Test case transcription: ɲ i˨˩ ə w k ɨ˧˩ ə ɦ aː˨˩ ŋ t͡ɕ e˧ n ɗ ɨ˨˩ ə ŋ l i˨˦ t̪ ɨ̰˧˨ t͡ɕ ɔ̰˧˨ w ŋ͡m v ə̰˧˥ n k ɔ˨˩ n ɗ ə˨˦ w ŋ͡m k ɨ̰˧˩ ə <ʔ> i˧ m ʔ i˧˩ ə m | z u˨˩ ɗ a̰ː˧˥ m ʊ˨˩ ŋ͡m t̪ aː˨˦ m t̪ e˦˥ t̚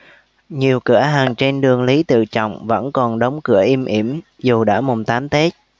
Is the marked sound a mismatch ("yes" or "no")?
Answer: no